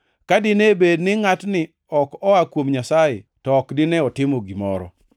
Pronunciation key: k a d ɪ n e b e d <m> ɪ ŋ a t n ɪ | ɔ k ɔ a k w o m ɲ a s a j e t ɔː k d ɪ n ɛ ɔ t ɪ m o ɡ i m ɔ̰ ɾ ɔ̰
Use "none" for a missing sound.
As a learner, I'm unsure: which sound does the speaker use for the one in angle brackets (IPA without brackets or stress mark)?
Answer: n